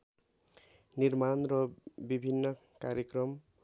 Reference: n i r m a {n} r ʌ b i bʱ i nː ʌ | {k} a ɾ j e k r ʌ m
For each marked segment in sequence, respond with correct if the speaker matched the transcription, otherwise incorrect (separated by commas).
correct, correct